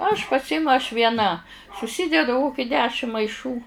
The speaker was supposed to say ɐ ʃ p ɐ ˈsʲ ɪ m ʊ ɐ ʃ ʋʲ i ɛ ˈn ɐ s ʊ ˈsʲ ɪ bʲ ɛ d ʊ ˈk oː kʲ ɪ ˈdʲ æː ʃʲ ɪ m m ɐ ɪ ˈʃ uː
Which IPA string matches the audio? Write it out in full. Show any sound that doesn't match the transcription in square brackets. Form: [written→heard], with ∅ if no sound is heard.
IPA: ɐ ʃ p ɐ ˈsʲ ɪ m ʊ ɐ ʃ ʋʲ i ɛ ˈn ɐ s ʊ ˈsʲ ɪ [bʲ→dʲ] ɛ d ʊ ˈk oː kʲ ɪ ˈdʲ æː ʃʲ ɪ m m ɐ ɪ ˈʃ uː